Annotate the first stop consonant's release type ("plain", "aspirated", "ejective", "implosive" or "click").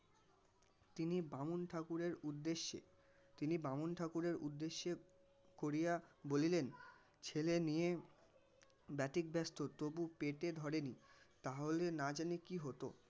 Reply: plain